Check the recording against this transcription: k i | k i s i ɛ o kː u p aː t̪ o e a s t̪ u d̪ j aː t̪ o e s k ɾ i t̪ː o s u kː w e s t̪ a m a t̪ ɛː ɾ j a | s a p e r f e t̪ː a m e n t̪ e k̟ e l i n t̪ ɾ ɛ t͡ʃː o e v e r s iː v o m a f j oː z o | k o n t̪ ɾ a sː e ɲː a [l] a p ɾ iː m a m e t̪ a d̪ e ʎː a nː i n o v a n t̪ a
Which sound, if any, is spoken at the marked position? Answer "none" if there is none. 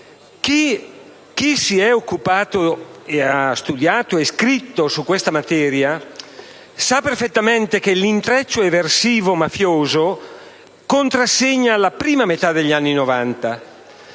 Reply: l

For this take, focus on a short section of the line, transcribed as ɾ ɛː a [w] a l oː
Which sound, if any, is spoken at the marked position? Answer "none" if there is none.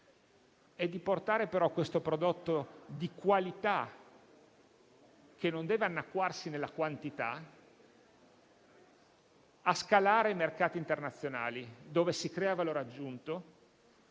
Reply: v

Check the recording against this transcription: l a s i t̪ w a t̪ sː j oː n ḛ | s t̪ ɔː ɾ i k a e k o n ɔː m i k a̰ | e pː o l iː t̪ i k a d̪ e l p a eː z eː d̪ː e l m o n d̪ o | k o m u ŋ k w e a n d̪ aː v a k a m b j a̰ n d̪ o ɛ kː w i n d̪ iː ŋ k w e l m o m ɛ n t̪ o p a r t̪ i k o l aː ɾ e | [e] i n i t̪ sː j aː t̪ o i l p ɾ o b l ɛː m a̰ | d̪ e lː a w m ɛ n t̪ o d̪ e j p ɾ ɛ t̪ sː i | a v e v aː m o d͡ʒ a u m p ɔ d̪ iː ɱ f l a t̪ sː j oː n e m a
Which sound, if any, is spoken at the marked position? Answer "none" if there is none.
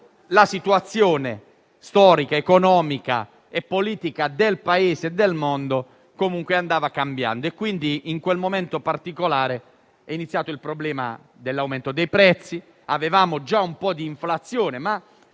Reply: ɛ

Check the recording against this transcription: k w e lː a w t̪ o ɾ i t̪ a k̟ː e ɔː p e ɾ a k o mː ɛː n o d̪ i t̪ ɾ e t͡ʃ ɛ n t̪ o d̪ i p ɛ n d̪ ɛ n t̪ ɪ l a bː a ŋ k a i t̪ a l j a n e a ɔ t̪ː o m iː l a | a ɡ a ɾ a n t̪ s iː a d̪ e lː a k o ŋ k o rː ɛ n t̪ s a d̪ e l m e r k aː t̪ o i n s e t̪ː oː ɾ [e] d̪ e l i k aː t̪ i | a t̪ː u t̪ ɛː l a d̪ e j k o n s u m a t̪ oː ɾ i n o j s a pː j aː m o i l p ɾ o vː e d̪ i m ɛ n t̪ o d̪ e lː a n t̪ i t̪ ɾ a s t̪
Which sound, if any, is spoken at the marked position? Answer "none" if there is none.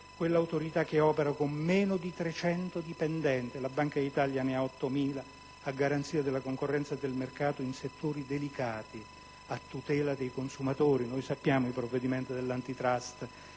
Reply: i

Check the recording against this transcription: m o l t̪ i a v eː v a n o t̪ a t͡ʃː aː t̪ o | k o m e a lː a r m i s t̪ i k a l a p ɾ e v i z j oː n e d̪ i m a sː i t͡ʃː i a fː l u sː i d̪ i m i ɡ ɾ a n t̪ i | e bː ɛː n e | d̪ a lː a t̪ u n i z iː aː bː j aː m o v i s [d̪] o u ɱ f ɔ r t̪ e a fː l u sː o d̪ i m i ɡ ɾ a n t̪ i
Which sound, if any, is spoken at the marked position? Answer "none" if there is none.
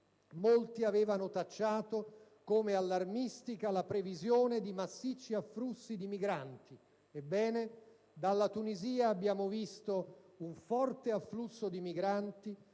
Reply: t̪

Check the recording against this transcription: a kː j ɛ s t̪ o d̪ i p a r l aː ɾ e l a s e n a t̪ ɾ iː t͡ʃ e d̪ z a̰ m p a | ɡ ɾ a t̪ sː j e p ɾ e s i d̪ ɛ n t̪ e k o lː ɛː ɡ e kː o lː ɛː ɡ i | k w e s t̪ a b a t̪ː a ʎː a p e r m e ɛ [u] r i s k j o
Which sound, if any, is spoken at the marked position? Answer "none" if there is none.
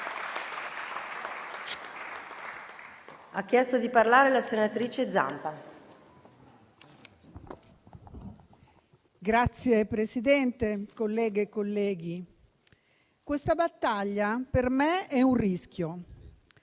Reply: u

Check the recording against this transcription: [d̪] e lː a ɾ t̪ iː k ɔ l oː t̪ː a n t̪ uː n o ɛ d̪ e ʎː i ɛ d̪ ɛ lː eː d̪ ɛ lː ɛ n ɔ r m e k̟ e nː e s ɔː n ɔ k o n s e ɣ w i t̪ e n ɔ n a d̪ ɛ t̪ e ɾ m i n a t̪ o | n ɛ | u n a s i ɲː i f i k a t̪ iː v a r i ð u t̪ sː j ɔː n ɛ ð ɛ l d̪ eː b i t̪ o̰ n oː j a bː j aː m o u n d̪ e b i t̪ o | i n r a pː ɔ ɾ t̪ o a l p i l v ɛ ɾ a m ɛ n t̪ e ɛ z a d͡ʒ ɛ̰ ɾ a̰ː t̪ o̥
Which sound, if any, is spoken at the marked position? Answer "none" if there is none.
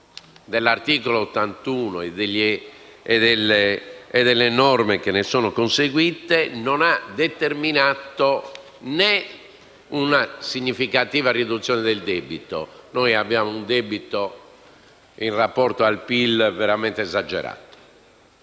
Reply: d̪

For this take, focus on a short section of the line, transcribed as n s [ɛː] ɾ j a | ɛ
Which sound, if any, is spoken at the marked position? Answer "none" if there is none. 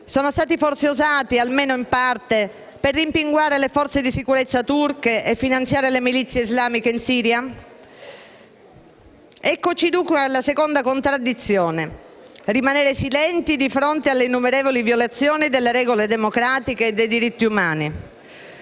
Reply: iː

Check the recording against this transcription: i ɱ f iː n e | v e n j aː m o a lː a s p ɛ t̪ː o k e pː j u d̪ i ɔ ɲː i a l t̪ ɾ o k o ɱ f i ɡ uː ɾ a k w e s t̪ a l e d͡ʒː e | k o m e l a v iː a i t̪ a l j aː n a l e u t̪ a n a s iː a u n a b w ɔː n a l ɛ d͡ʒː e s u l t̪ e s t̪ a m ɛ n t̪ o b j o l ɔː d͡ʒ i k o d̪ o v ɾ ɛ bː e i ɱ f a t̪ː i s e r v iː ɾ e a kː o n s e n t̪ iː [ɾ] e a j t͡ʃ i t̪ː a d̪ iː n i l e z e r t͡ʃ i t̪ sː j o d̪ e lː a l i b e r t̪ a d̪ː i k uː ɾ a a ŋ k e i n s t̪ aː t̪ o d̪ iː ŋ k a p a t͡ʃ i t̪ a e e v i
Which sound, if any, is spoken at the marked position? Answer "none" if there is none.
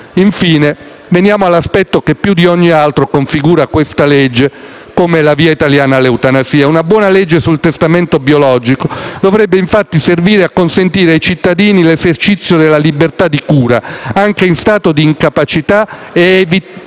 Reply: ɾ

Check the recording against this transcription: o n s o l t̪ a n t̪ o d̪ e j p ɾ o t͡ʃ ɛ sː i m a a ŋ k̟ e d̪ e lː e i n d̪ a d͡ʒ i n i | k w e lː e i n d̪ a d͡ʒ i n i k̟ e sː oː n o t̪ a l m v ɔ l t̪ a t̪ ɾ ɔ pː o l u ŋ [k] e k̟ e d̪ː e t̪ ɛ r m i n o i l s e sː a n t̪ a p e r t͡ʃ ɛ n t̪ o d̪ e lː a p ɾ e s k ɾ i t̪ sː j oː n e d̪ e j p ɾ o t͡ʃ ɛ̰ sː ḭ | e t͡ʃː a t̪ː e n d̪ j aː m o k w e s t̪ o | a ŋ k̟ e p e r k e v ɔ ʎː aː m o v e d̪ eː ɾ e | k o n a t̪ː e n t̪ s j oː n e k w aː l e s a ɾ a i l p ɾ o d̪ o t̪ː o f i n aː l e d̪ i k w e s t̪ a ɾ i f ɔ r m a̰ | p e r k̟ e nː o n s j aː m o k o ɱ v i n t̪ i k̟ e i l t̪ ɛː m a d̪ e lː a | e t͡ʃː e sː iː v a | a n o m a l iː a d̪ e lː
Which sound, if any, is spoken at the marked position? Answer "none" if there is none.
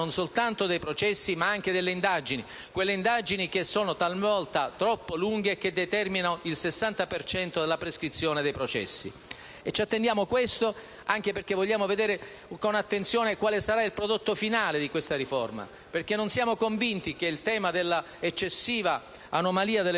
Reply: ɡ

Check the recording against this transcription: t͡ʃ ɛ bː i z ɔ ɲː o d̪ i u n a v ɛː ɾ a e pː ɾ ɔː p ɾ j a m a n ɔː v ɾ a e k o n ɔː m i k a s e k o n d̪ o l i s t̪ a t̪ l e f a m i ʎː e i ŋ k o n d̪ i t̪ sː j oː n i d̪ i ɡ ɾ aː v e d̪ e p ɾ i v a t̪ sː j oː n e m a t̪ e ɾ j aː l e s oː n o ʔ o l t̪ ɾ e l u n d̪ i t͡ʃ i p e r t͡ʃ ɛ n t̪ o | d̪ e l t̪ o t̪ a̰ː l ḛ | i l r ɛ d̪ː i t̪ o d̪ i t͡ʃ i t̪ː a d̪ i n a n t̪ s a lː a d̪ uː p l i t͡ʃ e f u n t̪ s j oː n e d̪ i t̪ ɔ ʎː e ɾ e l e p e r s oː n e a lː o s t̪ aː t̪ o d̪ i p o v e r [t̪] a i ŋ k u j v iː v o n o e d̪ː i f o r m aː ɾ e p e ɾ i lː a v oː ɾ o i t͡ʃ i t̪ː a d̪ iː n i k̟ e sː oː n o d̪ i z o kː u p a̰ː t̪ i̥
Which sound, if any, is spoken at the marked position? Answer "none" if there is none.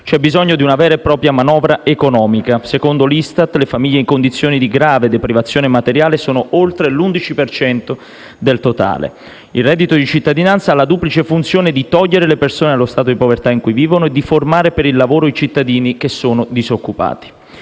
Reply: t̪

